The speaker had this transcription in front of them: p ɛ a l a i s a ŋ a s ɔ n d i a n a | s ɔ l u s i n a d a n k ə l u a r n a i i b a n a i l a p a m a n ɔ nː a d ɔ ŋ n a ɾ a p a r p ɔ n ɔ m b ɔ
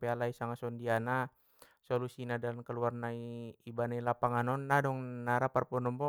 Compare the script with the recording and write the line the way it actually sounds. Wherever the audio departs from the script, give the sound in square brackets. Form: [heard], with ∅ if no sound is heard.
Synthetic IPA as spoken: p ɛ a l a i s a ŋ a s ɔ n d i a n a | s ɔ l u s i n a d a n k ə l u a r n a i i b a n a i l a p a [ŋ] a n ɔ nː a d ɔ ŋ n a ɾ a p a r p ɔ n ɔ m b ɔ